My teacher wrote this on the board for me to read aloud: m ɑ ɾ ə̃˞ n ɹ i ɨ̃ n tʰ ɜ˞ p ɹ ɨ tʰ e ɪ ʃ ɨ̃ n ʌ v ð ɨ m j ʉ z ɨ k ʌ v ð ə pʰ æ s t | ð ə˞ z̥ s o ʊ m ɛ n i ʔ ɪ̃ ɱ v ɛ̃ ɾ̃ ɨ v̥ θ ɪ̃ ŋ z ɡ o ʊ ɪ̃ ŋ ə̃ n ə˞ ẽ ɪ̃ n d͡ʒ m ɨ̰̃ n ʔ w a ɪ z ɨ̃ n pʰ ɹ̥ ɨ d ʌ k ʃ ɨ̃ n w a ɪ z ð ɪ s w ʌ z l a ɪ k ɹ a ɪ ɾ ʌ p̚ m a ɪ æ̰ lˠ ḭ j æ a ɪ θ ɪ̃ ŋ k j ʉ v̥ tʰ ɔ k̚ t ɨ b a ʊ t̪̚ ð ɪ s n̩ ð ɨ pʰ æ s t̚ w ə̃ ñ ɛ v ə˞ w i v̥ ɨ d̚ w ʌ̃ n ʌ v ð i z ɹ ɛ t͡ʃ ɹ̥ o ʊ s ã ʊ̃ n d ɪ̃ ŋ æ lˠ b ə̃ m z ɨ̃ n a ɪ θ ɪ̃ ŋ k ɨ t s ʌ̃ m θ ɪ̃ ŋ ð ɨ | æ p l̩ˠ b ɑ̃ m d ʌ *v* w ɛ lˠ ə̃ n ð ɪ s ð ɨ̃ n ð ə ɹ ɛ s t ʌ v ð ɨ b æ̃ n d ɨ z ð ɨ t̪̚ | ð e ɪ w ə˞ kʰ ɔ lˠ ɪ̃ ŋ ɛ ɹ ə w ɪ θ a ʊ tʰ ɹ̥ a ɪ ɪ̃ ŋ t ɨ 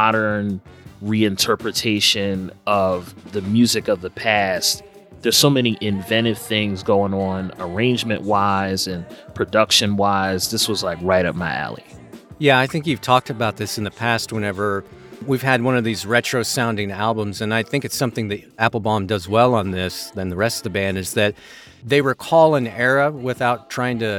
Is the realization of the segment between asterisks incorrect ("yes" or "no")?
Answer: yes